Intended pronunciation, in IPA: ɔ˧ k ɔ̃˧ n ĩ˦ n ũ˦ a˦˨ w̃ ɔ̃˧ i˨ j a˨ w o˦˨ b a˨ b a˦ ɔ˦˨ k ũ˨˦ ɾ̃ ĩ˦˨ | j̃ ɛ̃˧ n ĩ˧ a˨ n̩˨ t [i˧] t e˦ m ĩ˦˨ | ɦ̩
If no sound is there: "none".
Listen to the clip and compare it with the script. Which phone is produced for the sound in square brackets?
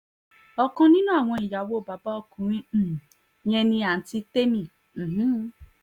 i˧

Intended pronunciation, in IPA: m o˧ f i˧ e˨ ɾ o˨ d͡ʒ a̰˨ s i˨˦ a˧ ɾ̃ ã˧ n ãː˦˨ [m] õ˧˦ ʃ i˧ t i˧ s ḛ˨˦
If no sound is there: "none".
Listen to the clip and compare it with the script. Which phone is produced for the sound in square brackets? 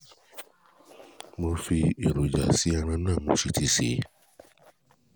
m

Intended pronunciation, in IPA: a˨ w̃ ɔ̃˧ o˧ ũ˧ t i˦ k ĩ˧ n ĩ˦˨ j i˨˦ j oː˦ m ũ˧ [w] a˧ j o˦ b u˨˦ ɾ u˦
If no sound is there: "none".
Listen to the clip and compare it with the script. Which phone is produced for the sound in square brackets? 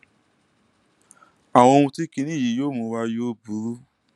w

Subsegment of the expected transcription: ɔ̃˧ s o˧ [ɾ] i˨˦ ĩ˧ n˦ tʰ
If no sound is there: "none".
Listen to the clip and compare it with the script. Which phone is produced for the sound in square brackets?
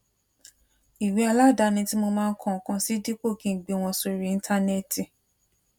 ɾ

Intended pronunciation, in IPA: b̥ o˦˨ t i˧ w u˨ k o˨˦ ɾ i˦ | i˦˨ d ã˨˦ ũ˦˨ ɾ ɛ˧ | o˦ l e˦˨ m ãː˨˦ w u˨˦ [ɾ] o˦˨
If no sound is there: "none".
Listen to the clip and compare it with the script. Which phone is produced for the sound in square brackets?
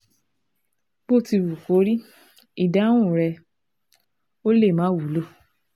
l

